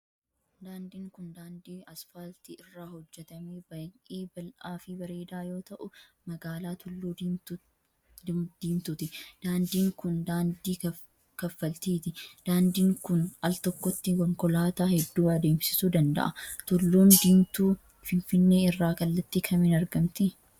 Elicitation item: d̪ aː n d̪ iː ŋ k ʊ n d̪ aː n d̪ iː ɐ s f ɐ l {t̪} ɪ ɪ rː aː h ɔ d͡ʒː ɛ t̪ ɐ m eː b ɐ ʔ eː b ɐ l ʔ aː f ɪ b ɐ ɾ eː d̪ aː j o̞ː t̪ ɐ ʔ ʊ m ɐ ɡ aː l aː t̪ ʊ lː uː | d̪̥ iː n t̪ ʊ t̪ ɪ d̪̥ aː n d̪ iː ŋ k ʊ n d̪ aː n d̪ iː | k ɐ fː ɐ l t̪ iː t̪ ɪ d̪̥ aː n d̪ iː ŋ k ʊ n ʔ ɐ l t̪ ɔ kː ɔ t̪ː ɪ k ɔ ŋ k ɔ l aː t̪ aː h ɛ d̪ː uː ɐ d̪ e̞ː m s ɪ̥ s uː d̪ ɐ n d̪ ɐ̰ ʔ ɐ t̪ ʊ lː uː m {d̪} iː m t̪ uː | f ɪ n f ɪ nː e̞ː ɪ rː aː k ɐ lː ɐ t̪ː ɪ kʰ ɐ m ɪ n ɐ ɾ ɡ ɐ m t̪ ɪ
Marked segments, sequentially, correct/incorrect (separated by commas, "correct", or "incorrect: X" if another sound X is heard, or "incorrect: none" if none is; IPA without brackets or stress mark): correct, correct